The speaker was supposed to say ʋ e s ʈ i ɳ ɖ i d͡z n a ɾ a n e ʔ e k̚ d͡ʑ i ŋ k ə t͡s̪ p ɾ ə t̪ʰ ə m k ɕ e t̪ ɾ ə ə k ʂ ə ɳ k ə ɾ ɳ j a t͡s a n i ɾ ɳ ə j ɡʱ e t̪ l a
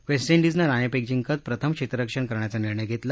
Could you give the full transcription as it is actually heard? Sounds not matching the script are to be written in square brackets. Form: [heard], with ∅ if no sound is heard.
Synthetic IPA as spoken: ʋ e s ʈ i ɳ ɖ i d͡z n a ɾ a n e [p] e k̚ d͡ʑ i ŋ k ə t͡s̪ p ɾ ə t̪ʰ ə m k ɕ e t̪ ɾ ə ə k ʂ ə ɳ k ə ɾ ɳ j a t͡s a n i ɾ ɳ ə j ɡʱ e t̪ l a